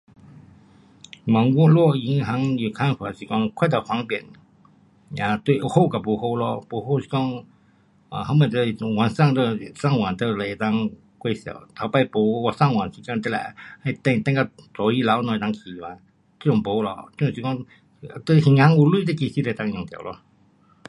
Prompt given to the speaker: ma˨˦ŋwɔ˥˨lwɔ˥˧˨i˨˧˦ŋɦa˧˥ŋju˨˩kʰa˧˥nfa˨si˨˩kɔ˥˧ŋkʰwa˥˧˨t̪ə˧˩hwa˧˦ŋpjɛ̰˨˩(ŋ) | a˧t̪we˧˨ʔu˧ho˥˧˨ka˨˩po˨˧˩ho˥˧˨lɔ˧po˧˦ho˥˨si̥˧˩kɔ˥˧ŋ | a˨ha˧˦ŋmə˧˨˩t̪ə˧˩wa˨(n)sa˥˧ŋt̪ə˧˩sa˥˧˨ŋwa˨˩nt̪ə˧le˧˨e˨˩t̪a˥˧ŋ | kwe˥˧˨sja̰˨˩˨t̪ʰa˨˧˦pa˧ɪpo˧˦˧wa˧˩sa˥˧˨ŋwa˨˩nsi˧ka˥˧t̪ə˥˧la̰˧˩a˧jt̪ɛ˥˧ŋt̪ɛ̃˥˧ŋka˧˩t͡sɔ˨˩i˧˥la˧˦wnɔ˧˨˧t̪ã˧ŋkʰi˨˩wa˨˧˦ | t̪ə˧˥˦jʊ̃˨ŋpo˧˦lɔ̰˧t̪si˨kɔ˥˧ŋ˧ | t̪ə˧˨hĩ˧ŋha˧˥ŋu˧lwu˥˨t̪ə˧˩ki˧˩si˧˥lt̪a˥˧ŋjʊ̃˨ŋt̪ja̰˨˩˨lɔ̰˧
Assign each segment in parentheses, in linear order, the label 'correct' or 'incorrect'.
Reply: incorrect, correct

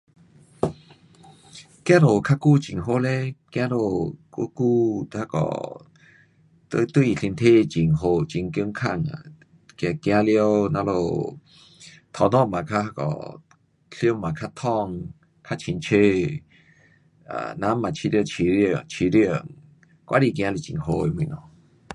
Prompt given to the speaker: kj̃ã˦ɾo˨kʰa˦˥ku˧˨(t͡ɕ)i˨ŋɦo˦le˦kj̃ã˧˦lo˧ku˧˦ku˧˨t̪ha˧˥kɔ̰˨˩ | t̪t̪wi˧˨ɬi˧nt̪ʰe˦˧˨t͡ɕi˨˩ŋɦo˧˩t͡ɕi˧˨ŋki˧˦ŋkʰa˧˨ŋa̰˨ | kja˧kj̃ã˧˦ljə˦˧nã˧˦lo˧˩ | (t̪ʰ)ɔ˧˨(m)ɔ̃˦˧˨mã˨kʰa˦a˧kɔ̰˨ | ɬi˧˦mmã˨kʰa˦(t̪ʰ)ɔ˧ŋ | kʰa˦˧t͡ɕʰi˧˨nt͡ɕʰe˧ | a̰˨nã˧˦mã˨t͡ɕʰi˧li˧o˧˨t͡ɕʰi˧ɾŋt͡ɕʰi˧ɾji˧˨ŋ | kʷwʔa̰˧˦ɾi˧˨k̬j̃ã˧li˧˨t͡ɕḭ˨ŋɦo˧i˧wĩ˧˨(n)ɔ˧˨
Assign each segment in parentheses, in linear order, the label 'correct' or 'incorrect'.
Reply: correct, correct, incorrect, correct, correct

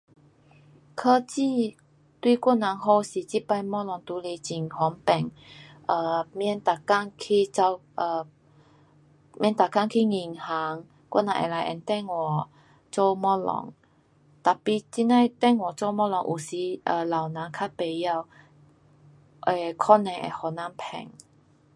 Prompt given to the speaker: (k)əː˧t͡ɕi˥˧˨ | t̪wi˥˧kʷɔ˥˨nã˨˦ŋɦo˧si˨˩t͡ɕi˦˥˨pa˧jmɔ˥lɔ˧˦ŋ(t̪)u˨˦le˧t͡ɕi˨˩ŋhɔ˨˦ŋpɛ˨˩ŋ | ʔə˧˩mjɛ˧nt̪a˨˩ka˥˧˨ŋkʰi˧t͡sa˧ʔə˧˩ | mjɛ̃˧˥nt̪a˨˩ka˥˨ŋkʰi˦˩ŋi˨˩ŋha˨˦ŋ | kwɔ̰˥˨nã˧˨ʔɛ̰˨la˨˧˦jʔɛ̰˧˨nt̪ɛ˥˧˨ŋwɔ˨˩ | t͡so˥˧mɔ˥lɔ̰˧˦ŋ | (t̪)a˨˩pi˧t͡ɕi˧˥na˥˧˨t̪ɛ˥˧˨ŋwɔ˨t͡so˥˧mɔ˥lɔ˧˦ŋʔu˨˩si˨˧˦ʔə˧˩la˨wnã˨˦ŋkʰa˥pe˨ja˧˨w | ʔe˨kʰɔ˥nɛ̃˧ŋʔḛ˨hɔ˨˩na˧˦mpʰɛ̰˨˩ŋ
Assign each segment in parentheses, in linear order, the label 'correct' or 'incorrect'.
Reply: incorrect, correct, correct

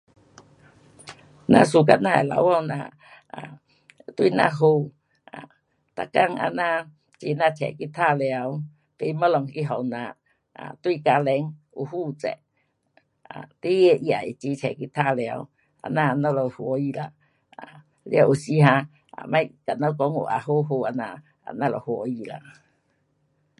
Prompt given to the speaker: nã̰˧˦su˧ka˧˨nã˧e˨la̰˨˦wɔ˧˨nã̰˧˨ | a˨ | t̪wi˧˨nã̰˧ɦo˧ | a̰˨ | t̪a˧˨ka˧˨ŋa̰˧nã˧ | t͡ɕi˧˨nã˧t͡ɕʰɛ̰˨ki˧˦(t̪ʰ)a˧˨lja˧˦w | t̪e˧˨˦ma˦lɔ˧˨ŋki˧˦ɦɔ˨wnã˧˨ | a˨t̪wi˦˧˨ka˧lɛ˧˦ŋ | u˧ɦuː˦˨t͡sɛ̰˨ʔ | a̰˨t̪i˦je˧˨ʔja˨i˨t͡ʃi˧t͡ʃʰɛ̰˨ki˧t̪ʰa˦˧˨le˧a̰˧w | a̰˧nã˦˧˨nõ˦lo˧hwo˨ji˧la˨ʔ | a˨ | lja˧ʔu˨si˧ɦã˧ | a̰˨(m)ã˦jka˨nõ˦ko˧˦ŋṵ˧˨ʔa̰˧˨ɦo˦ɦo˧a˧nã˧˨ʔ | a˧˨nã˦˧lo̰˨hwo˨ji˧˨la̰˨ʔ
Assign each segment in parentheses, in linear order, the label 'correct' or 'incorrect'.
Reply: correct, correct

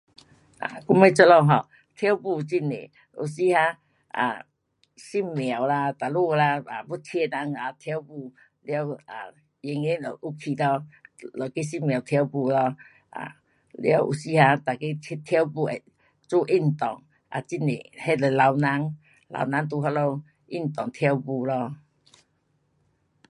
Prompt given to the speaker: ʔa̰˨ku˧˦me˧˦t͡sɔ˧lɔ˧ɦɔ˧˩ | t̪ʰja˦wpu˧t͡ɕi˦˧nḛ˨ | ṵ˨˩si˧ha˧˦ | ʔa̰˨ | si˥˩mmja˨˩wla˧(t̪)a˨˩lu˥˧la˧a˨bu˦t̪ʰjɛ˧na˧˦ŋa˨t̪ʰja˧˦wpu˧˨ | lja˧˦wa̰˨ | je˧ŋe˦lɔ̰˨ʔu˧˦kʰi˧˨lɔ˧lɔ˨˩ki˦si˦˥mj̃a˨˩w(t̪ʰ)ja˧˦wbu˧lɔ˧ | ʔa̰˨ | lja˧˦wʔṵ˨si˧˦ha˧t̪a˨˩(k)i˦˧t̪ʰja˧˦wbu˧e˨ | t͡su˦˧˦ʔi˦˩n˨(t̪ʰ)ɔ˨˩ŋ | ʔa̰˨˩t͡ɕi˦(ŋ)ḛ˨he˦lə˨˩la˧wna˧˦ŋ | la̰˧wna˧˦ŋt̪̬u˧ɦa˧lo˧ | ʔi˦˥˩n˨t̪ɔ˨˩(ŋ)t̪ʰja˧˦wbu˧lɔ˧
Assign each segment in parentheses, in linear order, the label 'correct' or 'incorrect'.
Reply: correct, correct, correct, incorrect, incorrect, correct

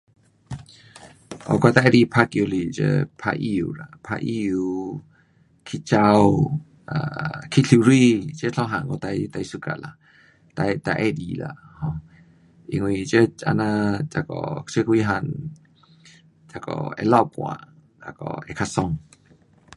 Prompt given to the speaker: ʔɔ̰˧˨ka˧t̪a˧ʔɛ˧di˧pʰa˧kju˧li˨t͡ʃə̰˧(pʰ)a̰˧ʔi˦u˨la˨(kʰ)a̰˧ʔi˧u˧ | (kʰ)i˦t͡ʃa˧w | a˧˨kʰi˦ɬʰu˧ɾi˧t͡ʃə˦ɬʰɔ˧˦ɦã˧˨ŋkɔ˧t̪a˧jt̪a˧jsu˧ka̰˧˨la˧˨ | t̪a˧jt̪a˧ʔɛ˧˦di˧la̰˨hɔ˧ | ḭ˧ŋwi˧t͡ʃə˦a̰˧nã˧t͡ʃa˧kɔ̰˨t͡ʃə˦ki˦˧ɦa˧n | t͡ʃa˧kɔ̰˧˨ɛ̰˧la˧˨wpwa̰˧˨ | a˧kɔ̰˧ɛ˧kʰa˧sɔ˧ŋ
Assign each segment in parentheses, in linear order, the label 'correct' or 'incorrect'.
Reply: correct, incorrect, correct

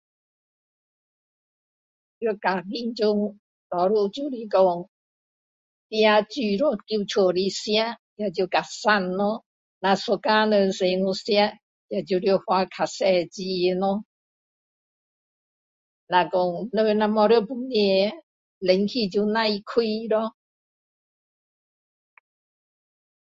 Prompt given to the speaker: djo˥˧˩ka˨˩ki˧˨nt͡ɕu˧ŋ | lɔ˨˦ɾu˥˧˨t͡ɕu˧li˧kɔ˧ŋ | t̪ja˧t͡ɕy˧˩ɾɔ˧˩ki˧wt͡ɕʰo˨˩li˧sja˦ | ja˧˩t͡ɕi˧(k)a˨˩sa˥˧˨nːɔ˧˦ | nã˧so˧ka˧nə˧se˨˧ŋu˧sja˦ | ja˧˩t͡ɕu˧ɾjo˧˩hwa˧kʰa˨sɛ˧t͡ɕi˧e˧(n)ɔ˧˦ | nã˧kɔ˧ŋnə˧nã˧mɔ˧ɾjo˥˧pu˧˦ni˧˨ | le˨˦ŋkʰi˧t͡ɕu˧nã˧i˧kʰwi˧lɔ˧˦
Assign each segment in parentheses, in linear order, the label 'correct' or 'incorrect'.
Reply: correct, correct

